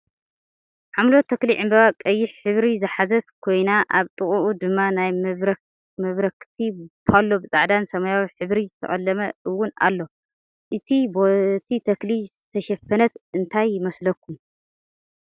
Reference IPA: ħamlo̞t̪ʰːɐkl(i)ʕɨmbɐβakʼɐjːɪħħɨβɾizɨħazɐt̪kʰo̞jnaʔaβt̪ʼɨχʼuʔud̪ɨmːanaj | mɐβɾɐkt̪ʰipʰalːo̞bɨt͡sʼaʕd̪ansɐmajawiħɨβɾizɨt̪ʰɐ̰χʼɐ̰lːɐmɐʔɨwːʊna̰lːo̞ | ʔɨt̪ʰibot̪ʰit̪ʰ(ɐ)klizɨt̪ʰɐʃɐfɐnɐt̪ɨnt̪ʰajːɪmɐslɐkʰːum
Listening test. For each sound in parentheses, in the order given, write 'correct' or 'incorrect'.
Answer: correct, correct

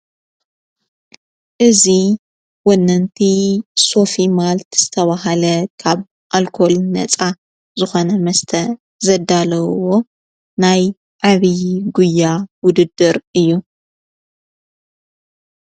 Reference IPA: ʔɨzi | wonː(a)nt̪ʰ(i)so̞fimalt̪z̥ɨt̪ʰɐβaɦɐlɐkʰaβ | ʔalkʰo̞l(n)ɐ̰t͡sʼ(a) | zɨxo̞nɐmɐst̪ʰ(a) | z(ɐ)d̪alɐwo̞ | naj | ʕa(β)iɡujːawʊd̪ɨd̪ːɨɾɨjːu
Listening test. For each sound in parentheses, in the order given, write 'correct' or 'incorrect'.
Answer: incorrect, correct, correct, correct, incorrect, correct, correct

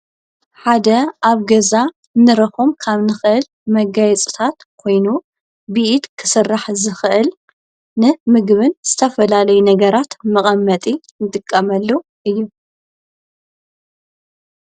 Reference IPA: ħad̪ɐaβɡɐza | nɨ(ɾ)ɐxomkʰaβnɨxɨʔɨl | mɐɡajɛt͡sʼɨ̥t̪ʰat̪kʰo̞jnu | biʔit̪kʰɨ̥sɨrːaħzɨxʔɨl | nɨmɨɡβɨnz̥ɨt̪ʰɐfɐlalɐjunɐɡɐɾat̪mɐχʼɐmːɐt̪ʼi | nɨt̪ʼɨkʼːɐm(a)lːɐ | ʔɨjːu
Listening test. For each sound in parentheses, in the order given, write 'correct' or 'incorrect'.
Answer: correct, incorrect

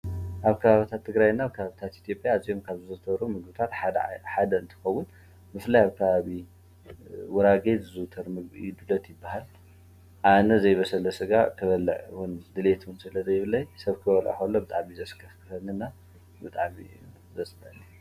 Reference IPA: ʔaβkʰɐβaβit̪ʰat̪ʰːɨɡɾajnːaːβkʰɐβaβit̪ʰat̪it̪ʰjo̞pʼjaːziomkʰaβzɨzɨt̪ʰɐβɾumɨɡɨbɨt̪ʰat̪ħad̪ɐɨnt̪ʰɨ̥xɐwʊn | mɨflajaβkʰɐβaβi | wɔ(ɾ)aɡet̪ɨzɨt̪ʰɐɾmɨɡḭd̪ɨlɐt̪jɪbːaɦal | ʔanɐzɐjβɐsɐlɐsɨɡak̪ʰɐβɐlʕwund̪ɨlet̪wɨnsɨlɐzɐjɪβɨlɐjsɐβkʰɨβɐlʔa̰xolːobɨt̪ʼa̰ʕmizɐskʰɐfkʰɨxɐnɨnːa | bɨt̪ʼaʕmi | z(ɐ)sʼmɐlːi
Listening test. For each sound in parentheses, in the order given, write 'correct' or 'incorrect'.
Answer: correct, correct

